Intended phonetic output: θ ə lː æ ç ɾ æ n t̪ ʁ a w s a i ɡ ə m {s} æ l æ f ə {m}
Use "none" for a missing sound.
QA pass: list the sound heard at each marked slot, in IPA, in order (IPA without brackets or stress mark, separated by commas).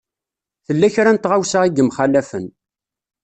χ, n